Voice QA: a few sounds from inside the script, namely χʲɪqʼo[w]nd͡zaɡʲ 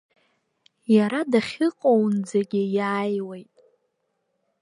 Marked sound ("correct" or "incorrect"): correct